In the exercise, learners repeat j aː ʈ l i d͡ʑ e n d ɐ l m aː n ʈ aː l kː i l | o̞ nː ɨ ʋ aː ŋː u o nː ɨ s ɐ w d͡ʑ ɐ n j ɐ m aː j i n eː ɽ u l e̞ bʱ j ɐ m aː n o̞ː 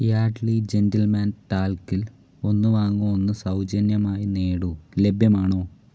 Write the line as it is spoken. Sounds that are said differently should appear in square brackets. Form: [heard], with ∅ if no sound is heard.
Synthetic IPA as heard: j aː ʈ l i d͡ʑ e n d ɐ l m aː n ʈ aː l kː i l | o̞ nː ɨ ʋ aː ŋː u o nː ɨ s ɐ w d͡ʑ ɐ n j ɐ m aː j i n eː ɽ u l e̞ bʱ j ɐ m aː [ɳ] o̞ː